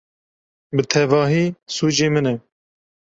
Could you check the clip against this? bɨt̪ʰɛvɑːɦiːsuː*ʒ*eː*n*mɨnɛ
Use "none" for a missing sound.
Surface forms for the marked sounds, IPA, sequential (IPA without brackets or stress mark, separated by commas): d͡ʒ, none